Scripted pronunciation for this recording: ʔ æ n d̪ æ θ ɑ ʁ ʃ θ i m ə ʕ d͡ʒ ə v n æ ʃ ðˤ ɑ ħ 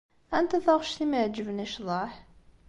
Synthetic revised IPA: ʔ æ n t̪ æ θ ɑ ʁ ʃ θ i m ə ʕ d͡ʒ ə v n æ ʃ ðˤ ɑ ħ